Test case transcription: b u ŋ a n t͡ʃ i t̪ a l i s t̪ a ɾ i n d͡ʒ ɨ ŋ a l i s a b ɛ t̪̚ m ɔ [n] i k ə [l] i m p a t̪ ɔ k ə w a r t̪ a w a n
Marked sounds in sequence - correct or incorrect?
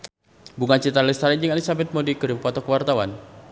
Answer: incorrect: d, incorrect: ɾ

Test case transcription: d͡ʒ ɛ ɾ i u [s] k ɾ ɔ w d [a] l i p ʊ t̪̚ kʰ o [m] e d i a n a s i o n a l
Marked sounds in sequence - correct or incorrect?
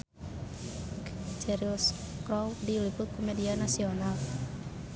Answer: correct, incorrect: i, correct

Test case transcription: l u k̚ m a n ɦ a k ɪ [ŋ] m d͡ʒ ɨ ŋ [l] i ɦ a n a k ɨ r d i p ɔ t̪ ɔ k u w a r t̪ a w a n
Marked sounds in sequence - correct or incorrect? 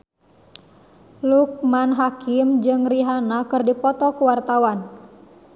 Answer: incorrect: none, incorrect: r

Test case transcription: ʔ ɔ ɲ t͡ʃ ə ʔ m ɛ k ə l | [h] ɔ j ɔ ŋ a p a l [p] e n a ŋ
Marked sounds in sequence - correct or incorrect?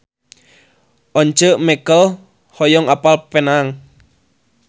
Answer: correct, correct

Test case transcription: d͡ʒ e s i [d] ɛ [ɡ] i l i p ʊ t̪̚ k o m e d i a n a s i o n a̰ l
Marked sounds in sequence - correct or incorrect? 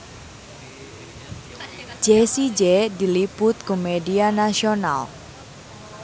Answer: incorrect: d͡ʒ, incorrect: d

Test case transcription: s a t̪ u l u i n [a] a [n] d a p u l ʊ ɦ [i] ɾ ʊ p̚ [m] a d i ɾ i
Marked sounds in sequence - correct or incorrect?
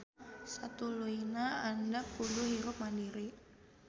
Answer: correct, correct, correct, correct

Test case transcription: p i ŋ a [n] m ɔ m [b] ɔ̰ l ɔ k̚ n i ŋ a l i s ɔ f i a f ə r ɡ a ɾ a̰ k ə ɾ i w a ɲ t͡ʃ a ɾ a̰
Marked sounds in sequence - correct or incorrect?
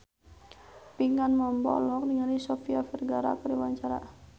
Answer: correct, correct

